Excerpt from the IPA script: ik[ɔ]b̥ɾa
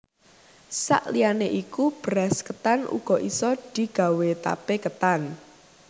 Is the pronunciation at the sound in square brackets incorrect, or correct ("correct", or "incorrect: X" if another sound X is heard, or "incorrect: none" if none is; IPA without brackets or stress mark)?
incorrect: u